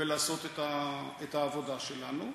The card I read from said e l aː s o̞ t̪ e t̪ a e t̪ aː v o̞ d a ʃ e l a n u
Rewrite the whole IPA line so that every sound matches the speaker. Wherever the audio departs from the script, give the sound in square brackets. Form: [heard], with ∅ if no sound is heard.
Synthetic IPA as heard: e l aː s o̞ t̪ e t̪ a e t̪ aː v o̞ d a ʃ e l a n u